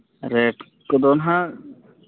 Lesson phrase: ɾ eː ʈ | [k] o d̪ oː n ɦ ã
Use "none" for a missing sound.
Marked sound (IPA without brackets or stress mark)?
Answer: k